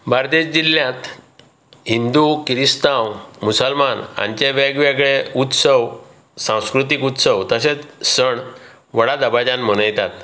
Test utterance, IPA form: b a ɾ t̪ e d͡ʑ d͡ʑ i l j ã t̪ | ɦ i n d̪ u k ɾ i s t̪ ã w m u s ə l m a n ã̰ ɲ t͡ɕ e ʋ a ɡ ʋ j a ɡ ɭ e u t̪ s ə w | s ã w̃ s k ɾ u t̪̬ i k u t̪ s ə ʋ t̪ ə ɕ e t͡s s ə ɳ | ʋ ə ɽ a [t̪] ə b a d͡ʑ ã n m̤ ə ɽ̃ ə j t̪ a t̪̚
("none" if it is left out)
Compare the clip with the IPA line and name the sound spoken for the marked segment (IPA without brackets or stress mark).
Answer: d̪